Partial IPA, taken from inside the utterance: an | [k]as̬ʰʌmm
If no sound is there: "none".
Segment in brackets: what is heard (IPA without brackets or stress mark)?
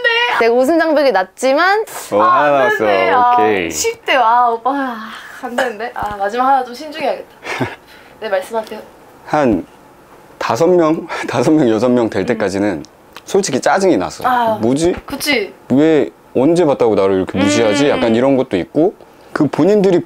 t